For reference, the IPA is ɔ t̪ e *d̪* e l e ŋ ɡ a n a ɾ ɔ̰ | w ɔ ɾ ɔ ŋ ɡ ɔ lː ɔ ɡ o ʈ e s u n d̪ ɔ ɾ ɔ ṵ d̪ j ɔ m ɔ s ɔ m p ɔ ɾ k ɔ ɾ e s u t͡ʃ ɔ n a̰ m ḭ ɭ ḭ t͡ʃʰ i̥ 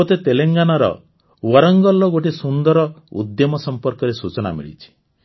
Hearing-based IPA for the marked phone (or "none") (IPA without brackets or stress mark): t̪